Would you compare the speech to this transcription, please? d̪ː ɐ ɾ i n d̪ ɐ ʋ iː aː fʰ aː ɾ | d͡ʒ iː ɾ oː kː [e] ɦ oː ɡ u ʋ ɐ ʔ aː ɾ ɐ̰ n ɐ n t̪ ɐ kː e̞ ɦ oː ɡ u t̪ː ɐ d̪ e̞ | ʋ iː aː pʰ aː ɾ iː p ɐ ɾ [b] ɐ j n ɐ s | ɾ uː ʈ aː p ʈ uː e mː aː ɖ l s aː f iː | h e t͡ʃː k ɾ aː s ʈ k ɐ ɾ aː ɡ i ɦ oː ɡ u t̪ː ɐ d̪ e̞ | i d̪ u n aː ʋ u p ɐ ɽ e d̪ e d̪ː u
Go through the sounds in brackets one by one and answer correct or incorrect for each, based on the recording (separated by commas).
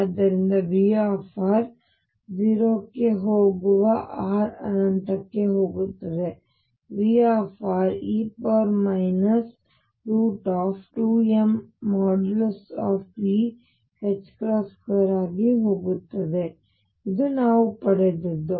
correct, incorrect